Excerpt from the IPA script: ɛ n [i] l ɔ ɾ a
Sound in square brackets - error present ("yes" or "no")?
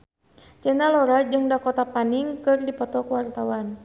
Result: yes